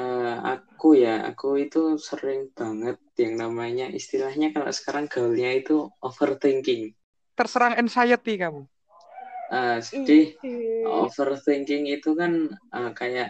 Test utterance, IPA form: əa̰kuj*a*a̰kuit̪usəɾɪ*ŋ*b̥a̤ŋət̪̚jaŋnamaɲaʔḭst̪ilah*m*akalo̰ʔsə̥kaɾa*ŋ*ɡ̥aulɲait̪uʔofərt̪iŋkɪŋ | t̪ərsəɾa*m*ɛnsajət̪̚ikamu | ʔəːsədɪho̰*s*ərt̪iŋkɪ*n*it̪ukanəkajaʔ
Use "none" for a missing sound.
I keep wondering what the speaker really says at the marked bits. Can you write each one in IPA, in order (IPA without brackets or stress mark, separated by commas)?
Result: a, ŋ, ɲ, ŋ, ŋ, f, ŋ